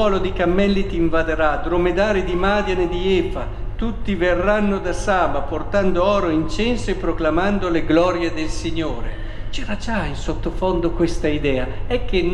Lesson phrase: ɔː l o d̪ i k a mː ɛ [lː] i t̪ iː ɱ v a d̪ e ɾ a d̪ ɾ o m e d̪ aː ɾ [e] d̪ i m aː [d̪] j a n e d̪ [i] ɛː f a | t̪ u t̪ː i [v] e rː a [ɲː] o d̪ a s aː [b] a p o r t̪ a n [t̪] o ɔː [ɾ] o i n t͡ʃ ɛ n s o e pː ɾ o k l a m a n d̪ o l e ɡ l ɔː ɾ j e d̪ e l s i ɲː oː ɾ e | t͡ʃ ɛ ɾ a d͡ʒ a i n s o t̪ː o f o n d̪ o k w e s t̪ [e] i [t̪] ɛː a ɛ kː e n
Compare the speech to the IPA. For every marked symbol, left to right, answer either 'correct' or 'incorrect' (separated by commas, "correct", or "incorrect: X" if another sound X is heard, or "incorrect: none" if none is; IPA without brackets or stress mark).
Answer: correct, incorrect: i, correct, correct, correct, incorrect: nː, correct, incorrect: d̪, correct, incorrect: a, incorrect: d̪